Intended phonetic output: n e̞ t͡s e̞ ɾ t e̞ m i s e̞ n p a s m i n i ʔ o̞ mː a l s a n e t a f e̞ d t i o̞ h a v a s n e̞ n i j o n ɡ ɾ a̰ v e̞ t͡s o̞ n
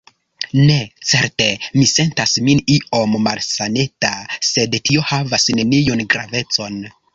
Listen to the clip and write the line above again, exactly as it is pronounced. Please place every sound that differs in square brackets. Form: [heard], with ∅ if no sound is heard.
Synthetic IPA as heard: n e̞ t͡s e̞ ɾ t e̞ m i s e̞ n [t] a s m i n i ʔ o̞ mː a l s a n e t a [s] e̞ d t i o̞ h a v a s n e̞ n i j o n ɡ ɾ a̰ v e̞ t͡s o̞ n